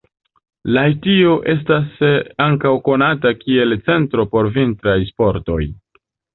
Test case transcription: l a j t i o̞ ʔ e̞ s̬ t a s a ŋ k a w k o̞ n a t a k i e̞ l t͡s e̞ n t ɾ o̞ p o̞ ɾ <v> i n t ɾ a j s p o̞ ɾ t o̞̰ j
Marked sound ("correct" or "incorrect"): correct